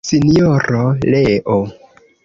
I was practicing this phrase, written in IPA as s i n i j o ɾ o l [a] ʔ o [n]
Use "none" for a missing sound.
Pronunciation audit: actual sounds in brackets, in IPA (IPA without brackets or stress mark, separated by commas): e, none